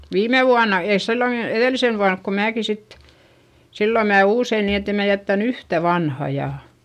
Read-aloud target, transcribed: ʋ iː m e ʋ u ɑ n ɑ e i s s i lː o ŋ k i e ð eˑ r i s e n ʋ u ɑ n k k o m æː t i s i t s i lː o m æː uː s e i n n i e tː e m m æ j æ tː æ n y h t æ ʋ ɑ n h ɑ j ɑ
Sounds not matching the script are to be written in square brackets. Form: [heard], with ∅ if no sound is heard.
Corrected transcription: ʋ iː m e ʋ u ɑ n ɑ e i s s i lː o ŋ k i e ð eˑ [l] i s e n ʋ u ɑ n k k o m æː [k] i s i t s i lː o m æː uː s e i n n i e tː e m m æ j æ tː æ n y h t æ ʋ ɑ n h ɑ j ɑ